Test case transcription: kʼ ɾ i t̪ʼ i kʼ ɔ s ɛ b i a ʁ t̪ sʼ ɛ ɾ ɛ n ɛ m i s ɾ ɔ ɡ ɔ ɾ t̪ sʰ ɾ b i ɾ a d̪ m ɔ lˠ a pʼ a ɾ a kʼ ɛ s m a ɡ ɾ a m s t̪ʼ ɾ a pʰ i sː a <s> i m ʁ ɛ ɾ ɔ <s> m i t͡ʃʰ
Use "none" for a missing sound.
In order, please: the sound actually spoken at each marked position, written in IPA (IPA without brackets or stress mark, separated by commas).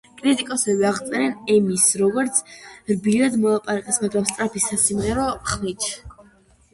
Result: s, χ